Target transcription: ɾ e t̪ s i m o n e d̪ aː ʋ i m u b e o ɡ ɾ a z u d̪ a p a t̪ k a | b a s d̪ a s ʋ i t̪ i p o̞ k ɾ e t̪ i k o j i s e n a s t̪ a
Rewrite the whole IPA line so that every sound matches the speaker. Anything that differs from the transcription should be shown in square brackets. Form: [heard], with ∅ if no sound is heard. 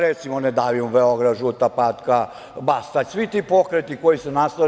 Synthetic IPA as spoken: ɾ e t̪ s i m o n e d̪ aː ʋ i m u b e o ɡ ɾ a [ʒ] u [t̪] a p a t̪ k a | b a s [t̪] a s ʋ i t̪ i p o̞ k ɾ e t̪ i k o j i s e n a s t̪ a